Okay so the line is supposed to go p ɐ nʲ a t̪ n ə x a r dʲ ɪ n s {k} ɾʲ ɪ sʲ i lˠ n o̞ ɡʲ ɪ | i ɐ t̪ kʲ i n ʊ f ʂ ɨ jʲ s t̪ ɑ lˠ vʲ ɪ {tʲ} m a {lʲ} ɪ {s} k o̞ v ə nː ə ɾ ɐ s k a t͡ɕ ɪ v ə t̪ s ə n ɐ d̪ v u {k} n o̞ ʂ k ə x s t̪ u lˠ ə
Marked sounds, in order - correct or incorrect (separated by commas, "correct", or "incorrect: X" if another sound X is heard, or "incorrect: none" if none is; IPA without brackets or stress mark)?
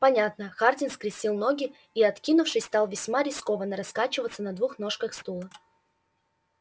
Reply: correct, incorrect: sʲ, incorrect: ɾʲ, correct, incorrect: x